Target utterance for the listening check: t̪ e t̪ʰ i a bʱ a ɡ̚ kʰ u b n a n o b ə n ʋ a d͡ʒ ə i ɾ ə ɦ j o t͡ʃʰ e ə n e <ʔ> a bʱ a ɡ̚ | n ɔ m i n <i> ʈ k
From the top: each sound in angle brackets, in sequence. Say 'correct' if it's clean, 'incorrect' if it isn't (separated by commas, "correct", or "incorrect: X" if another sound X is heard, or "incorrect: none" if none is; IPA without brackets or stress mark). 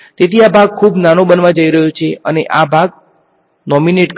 correct, incorrect: e